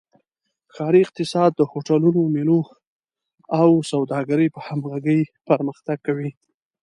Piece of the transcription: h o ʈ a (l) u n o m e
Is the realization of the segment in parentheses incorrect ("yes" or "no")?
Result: no